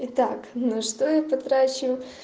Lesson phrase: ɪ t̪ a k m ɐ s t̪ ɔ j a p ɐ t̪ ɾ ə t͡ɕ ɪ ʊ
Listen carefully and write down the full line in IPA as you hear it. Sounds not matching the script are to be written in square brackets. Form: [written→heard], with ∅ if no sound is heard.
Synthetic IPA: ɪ t̪ a k [m→n] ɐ [s→ʂ] t̪ [ɔ→o] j a p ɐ t̪ ɾ [ə→a] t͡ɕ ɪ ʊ